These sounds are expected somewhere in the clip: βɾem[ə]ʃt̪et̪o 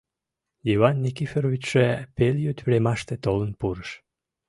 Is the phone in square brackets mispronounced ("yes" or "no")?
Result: yes